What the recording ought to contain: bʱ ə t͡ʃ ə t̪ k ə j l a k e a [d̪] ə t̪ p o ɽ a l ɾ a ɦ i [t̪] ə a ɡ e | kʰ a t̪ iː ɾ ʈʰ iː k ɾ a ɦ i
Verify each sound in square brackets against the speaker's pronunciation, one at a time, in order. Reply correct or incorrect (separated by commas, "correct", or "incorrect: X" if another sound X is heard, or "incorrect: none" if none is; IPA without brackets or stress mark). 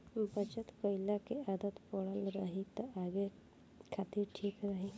correct, correct